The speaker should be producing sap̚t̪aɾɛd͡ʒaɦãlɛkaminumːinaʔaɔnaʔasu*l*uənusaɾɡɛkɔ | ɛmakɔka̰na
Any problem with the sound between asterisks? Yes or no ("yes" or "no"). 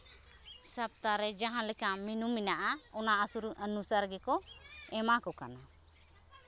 yes